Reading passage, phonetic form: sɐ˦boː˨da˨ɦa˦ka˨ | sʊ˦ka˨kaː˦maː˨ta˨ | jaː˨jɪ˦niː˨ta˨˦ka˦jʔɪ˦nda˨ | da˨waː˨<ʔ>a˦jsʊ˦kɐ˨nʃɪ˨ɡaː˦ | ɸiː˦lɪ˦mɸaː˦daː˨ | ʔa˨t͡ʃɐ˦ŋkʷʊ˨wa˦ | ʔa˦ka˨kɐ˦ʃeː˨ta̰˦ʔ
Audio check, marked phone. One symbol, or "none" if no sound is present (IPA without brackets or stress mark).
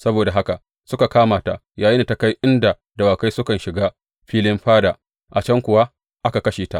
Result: k